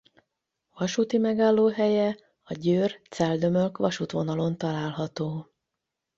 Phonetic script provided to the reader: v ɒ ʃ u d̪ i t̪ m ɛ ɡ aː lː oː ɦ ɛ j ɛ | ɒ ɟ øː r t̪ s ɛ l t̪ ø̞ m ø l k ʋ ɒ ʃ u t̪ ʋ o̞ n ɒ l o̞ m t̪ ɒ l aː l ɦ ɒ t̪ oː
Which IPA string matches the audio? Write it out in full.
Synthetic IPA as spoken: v ɒ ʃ u t̪ i m ɛ ɡ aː lː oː ɦ ɛ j ɛ | ɒ ɟ øː r t̪ s ɛ l d̪ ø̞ m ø l k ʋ ɒ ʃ u t̪ ʋ o̞ n ɒ l o̞ n t̪ ɒ l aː l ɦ ɒ t̪ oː